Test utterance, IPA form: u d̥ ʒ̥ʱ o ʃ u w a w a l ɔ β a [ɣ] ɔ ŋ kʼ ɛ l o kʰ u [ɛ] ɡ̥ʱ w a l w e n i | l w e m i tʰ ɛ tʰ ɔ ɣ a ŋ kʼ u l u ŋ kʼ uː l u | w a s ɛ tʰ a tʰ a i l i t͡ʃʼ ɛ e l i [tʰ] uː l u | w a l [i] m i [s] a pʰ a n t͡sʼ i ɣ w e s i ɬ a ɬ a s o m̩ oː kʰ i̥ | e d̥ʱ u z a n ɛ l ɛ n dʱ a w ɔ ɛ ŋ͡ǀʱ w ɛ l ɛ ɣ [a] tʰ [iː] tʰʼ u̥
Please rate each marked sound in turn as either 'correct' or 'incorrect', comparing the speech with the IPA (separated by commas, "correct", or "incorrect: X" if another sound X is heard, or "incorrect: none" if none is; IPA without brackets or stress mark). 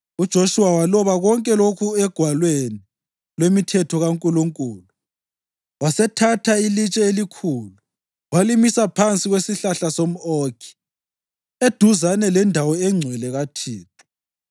correct, correct, incorrect: kʰ, correct, correct, correct, correct